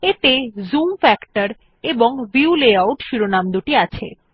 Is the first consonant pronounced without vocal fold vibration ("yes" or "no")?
yes